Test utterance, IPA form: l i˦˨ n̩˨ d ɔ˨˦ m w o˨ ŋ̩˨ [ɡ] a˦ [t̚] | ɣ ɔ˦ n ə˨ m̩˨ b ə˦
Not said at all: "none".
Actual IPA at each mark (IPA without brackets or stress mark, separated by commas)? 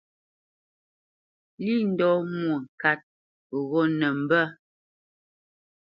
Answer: k, t̚